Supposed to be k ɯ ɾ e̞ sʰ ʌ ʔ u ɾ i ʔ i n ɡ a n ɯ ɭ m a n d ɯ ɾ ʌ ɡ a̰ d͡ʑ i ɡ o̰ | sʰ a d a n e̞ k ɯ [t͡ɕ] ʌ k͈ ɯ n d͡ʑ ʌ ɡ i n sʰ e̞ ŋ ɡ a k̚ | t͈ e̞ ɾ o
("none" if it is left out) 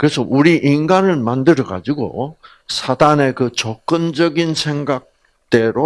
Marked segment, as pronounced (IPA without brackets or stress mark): t͡ɕ